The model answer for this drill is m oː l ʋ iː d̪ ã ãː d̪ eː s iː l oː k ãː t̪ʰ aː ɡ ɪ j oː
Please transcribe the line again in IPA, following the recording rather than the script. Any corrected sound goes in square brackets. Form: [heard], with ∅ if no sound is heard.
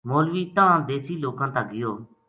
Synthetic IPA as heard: m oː l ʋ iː [t̪] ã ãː d̪ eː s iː l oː k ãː [t̪] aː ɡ ɪ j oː